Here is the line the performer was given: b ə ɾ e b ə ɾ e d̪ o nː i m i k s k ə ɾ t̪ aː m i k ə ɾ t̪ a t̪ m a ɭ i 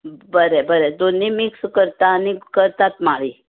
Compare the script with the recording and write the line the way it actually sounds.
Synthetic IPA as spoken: b ə ɾ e b ə ɾ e d̪ o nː i m i k s k ə ɾ t̪ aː n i k ə ɾ t̪ a t̪ m a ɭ i